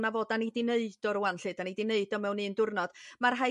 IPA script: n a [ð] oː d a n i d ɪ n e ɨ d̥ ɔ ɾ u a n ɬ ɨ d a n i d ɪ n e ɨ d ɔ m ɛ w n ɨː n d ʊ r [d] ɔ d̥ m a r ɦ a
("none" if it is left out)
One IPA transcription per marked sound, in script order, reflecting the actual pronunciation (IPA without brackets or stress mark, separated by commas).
v, n